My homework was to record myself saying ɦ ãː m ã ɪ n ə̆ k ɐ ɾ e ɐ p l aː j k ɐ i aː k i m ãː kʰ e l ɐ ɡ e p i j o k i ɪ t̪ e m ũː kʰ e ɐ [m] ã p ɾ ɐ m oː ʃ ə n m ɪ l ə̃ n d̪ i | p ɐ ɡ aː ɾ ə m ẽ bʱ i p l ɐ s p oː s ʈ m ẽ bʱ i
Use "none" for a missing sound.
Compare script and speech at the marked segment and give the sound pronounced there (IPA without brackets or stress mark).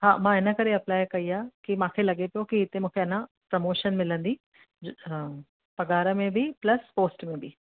n